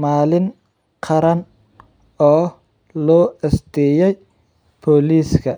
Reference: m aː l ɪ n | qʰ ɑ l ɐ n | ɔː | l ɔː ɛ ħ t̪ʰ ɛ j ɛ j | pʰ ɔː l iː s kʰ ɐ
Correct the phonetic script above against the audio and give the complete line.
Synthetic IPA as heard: m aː l ɪ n | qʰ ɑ ɾ ɐ n | ɔː | l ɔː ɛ s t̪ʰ ɛ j ɛ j | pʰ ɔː l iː s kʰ ɐ